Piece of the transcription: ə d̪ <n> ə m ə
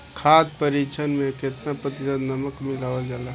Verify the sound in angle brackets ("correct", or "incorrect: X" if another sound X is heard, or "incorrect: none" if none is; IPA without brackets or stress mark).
correct